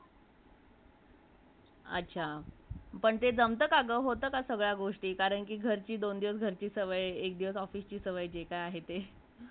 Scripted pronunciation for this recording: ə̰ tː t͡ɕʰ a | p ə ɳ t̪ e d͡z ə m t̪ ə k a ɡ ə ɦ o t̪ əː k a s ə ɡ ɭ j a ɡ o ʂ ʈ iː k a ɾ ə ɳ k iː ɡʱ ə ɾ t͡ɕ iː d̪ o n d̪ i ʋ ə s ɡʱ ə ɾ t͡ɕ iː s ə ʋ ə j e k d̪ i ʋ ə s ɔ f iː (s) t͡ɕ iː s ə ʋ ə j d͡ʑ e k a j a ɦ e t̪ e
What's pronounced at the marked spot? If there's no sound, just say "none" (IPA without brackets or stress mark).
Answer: s